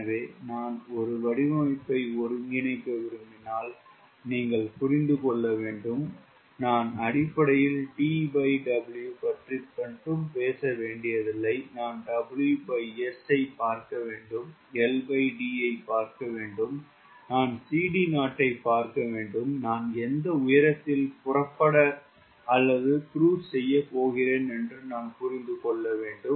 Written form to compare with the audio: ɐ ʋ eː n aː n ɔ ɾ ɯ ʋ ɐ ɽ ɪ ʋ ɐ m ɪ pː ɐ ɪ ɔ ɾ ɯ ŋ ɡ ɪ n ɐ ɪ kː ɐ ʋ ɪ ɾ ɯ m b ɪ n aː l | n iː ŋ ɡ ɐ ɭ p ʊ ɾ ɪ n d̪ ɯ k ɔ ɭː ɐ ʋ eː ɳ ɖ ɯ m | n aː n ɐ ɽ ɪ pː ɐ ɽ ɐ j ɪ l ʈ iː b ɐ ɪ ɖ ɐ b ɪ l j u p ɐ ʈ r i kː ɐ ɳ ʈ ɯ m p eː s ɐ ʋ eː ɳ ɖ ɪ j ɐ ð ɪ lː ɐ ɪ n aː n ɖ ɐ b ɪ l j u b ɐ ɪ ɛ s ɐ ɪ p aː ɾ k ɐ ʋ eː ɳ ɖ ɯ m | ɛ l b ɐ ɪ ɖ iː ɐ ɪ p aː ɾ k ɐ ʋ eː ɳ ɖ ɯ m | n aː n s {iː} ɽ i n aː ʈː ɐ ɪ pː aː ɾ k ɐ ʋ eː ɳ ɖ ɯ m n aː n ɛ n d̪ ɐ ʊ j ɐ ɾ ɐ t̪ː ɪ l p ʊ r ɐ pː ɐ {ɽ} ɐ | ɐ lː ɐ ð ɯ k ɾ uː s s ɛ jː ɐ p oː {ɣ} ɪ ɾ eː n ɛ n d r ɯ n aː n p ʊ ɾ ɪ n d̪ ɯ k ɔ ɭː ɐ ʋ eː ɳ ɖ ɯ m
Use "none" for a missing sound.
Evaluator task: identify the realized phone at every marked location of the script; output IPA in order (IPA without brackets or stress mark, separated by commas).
iː, ɽ, ɣ